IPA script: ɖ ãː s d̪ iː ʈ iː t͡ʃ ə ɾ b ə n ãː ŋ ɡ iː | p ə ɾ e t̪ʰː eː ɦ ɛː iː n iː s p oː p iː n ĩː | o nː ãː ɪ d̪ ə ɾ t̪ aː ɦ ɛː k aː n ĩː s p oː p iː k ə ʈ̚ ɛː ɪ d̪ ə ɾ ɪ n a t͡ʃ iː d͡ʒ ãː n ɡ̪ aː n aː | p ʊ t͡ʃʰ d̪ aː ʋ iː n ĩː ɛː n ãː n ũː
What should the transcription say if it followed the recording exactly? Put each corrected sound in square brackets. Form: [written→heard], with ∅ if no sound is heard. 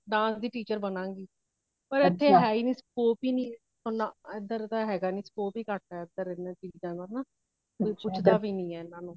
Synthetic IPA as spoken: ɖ ãː s d̪ iː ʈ iː t͡ʃ ə ɾ b ə n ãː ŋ ɡ iː | p ə ɾ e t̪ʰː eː ɦ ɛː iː n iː s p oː p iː n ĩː | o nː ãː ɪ d̪ ə ɾ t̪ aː ɦ ɛː [k→ɡ] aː n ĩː s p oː p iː k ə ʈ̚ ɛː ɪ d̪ ə ɾ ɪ n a t͡ʃ iː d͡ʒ ãː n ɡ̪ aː n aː | p ʊ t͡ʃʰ d̪ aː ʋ iː n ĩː ɛː n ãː n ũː